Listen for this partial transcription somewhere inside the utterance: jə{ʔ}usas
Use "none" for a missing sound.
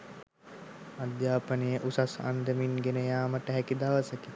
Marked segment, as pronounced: ʔ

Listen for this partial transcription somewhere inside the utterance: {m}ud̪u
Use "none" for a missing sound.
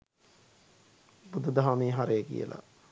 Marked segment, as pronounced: b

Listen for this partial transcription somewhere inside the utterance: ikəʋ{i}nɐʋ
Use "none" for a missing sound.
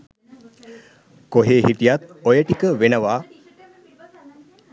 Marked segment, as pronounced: e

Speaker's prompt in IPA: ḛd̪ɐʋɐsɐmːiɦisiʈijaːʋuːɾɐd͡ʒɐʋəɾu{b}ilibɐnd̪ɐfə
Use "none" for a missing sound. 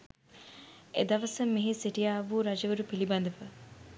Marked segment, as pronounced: p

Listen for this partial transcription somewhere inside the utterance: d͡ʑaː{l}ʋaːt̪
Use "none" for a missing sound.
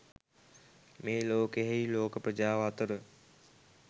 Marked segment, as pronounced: none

